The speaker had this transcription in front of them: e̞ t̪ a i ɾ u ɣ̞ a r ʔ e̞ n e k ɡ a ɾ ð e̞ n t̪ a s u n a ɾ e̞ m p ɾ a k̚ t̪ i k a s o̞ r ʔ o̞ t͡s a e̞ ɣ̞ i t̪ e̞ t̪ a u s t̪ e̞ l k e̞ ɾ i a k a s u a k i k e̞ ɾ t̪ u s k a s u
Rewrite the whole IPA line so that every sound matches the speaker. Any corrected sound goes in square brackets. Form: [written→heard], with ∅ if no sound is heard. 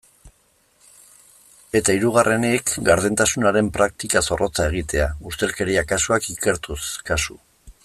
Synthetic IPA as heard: e̞ t̪ a i ɾ u ɣ̞ a r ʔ e̞ n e k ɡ a ɾ ð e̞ n t̪ a s u n a ɾ e̞ m p ɾ a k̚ t̪ i k a s o̞ r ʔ o̞ t͡s a e̞ ɣ̞ i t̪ e̞ [t̪→∅] a u s t̪ e̞ l k e̞ ɾ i a k a s u a k i k e̞ ɾ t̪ u s k a s u